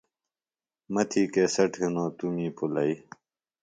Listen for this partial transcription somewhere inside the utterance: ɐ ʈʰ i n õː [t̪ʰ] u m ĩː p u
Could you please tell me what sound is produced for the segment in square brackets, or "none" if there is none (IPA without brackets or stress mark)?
t̪